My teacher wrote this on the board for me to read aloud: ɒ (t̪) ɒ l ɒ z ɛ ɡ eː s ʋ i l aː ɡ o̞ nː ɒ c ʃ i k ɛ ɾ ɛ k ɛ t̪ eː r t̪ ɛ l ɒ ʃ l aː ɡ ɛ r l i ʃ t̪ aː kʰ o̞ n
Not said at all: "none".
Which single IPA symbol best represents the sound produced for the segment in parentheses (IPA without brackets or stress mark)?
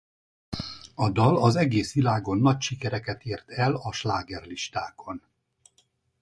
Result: d̪